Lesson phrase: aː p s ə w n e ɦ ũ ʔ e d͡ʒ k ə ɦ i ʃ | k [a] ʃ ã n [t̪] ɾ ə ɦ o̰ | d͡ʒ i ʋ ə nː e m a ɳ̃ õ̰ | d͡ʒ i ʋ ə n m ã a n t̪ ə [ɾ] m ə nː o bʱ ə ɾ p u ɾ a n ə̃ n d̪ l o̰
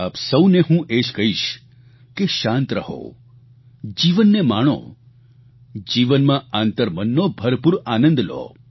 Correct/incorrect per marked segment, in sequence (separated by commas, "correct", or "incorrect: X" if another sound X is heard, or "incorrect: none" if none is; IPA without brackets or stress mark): incorrect: e, correct, correct